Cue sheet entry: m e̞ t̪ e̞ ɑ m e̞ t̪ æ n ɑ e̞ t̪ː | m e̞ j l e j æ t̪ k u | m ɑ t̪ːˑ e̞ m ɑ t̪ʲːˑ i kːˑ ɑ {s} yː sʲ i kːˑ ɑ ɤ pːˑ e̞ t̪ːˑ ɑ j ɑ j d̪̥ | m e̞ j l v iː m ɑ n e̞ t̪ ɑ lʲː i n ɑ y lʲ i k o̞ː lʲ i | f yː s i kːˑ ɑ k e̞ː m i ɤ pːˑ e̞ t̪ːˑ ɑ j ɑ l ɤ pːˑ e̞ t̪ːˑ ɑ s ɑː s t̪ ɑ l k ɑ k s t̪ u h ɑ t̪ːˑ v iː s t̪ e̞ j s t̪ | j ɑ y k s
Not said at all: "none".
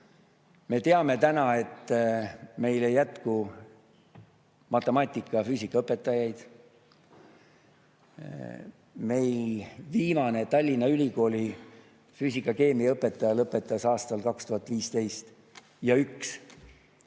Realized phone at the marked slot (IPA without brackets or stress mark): f